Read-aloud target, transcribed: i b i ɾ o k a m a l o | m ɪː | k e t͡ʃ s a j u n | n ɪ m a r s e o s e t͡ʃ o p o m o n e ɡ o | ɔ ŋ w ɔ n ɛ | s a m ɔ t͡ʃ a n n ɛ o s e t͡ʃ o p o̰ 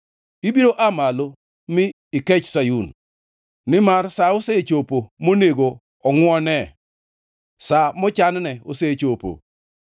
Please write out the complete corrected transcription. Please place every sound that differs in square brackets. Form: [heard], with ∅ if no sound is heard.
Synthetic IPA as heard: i b i ɾ o [ʔ] a m a l o | m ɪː | k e t͡ʃ s a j u n | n ɪ m a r s [a] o s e t͡ʃ o p o m o n e ɡ o | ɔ ŋ w ɔ n ɛ | s a m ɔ t͡ʃ a n n ɛ o s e t͡ʃ o p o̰